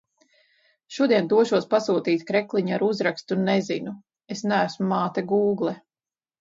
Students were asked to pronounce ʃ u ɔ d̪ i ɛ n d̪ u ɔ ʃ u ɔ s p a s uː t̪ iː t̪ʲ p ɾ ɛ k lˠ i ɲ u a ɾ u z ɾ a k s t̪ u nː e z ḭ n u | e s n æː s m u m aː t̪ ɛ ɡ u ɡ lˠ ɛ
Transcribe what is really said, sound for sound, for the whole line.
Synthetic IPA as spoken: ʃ u ɔ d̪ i ɛ n d̪ u ɔ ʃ u ɔ s p a s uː t̪ iː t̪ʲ k ɾ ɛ k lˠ i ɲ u a ɾ u z ɾ a k s t̪ u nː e z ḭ n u | e s n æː s m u m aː t̪ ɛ ɡ uː ɡ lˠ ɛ